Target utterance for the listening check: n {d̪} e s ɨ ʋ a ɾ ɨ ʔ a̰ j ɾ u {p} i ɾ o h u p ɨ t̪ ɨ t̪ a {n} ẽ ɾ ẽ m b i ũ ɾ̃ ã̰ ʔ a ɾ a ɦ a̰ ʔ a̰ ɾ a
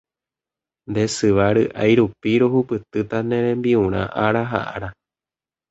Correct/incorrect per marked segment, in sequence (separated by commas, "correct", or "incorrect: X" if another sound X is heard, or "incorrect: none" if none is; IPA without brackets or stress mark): correct, correct, correct